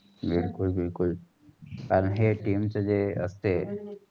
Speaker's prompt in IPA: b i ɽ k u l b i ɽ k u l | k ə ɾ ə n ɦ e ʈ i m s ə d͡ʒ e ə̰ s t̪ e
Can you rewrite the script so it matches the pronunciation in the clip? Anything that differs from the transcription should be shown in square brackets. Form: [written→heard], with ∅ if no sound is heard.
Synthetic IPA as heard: b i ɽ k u l b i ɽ k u l | k [ə→a] ɾ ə n ɦ e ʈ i m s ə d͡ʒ e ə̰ s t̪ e